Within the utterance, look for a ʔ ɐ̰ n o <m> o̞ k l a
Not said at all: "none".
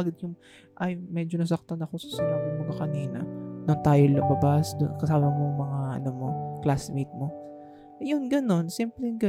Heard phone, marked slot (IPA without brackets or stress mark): m